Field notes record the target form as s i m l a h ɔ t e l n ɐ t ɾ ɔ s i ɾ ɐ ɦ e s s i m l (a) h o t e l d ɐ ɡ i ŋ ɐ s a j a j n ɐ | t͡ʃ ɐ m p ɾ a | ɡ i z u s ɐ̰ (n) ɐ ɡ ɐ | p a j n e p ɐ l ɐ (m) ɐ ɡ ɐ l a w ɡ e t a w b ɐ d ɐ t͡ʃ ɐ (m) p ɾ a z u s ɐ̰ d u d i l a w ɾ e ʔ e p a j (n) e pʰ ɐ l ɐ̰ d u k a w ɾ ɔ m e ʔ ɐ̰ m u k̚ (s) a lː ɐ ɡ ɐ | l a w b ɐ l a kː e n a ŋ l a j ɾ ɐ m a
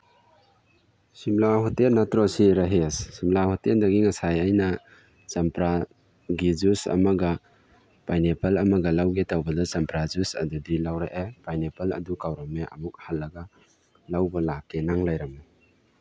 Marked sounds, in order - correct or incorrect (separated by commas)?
correct, incorrect, correct, correct, correct, incorrect